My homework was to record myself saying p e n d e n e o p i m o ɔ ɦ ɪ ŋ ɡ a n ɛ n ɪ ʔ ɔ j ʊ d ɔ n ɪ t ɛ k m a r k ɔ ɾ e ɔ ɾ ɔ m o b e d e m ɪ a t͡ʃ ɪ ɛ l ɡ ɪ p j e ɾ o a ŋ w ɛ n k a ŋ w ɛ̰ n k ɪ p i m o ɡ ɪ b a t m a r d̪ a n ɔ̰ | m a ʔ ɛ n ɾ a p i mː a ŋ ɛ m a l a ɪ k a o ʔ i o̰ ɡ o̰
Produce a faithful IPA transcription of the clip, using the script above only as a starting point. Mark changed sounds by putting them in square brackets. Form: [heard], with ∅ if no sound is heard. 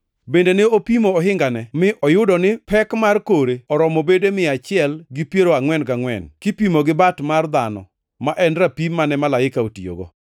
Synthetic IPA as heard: [b] e n d e n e o p i m o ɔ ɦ ɪ ŋ ɡ a n ɛ [m] ɪ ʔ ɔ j ʊ d ɔ n ɪ [p] ɛ k m a r k [o] ɾ e ɔ ɾ ɔ m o b e d e m ɪ a t͡ʃ ɪ ɛ l ɡ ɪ p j e ɾ o a ŋ w ɛ n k a ŋ w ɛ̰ n k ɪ p i m o ɡ ɪ b a t m a r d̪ a n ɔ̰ | m a ʔ ɛ n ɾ a p i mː a [n] ɛ m a l a ɪ k a o [t] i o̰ ɡ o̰